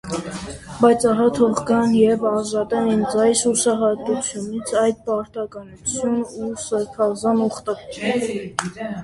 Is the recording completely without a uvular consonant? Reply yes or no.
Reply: no